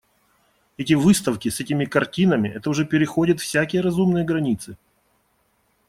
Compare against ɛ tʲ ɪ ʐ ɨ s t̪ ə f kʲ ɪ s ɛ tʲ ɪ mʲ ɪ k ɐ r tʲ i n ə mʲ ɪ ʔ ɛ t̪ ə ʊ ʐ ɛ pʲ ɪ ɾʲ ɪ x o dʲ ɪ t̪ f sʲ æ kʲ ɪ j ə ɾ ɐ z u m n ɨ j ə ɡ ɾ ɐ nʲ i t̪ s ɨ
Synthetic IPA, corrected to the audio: ɛ tʲ ɪ v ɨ s t̪ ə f kʲ ɪ s ɛ tʲ ɪ mʲ ɪ k ɐ r tʲ i n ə mʲ ɪ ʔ ɛ t̪ ə ʊ ʐ ɛ pʲ ɪ ɾʲ ɪ x o dʲ ɪ t̪ f sʲ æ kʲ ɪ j ə ɾ ɐ z u m n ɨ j ə ɡ ɾ ɐ nʲ i t̪ s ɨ